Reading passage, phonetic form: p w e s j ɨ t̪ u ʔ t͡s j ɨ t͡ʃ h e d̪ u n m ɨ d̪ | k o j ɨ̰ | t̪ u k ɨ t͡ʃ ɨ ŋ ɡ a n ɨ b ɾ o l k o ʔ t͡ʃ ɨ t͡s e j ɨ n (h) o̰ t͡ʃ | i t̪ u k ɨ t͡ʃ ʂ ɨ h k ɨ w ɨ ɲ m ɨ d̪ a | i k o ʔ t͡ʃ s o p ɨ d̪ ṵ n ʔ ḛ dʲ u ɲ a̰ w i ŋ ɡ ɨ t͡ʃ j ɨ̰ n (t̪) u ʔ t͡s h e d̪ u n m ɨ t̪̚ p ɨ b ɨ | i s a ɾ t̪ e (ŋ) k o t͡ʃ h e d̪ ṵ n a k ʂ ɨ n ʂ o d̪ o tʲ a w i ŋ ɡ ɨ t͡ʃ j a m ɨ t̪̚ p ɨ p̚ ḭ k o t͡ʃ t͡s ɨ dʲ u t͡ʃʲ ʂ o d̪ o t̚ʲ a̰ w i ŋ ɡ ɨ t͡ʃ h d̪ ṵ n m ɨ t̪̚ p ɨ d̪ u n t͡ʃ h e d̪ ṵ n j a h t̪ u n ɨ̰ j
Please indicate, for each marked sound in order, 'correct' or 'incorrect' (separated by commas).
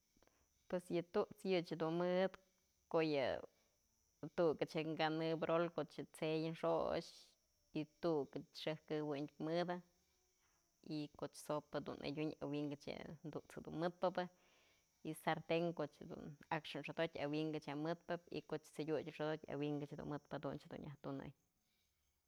incorrect, incorrect, correct